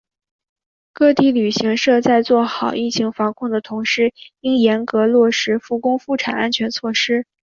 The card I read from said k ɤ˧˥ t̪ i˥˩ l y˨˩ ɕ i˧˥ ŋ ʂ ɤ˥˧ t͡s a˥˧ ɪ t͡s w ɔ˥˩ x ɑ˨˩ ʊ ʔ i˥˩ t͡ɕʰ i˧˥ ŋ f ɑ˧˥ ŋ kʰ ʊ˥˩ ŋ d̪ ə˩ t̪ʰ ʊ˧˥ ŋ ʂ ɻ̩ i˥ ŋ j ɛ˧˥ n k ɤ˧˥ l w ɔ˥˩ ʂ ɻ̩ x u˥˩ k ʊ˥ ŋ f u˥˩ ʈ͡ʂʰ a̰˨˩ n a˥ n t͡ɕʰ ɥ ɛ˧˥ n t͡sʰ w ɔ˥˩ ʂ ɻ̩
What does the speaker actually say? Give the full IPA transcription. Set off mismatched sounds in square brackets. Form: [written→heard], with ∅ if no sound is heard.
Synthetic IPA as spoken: k [ɤ˧˥→ɤ˥˧] t̪ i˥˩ l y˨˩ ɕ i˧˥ ŋ ʂ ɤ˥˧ t͡s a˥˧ ɪ t͡s w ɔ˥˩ x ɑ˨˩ ʊ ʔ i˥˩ t͡ɕʰ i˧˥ ŋ f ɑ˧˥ ŋ kʰ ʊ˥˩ ŋ d̪ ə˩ t̪ʰ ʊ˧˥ ŋ ʂ ɻ̩ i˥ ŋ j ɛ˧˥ n k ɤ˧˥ l w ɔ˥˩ ʂ ɻ̩ [x→f] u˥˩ k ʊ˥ ŋ f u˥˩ ʈ͡ʂʰ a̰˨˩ n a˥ n t͡ɕʰ ɥ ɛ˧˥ n t͡sʰ w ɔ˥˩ ʂ ɻ̩